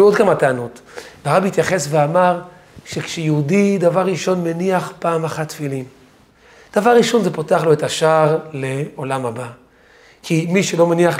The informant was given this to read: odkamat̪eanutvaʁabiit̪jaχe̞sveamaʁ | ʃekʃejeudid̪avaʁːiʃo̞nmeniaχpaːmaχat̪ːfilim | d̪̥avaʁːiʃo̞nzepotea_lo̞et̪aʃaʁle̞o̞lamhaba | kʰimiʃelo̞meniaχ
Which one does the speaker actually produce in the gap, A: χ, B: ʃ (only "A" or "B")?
A